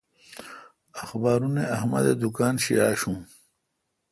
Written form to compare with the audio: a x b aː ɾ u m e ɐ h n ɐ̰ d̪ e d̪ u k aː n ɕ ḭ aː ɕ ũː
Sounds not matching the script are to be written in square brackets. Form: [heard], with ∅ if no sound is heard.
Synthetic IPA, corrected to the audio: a x b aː ɾ u [n] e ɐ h [m] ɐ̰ d̪ e d̪ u k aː n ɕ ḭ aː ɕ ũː